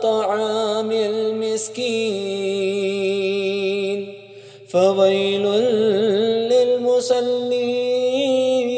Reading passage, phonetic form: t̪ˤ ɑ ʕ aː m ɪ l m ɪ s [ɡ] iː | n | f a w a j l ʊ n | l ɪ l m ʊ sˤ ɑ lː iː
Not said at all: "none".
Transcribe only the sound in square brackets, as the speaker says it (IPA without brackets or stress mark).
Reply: k